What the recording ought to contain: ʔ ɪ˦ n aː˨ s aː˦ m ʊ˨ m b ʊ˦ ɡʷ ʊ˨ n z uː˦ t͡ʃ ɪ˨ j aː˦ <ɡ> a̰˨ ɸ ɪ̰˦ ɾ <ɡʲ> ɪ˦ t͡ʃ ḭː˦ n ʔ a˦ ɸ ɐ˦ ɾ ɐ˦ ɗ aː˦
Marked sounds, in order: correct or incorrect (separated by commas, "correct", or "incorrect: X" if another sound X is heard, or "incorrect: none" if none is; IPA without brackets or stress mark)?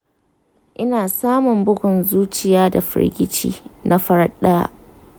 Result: incorrect: d, correct